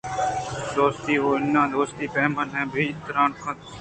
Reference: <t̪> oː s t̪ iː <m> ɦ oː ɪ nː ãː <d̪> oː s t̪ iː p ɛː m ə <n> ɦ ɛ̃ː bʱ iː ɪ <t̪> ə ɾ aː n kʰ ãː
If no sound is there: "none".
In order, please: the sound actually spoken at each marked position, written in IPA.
d̪, none, d̪, n, t̪

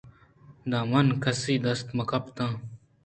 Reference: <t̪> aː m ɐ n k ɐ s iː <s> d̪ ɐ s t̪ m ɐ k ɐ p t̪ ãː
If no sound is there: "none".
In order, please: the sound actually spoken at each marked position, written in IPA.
d̪, none

